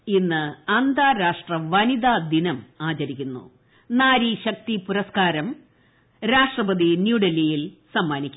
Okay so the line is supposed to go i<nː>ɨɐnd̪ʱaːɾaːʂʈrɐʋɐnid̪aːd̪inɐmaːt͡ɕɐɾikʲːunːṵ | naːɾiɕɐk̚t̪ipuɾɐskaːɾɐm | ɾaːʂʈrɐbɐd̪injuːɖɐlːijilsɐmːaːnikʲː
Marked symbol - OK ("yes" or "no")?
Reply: yes